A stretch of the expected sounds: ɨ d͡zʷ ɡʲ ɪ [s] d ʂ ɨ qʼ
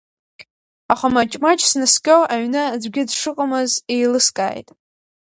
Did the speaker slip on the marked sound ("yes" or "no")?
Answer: yes